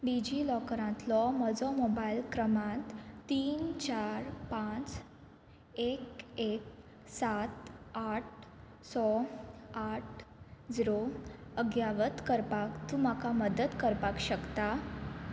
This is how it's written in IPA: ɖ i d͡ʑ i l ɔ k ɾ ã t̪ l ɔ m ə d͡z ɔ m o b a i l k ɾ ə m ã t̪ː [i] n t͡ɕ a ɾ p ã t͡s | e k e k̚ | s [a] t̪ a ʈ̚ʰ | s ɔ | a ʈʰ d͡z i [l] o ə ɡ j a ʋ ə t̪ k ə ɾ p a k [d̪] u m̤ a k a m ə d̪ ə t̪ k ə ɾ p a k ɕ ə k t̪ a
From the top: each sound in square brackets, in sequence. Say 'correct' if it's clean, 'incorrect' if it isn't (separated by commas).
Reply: incorrect, correct, incorrect, incorrect